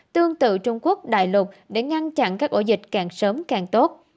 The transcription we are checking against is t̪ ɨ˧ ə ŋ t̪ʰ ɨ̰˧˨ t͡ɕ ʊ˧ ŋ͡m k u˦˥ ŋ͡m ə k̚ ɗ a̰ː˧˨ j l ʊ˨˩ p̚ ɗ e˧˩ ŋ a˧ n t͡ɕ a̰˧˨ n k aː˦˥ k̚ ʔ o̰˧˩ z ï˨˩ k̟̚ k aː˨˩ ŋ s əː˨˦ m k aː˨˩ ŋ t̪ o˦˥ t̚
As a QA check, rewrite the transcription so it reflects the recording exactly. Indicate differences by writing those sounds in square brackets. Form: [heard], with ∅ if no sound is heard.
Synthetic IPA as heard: t̪ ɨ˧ ə ŋ [t̪] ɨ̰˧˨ t͡ɕ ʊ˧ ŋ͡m k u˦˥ [∅] ə k̚ ɗ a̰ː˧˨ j l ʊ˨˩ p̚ ɗ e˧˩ ŋ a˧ n t͡ɕ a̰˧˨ n k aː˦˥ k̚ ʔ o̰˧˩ z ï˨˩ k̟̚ k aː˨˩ ŋ s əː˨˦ m k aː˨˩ ŋ t̪ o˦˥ t̚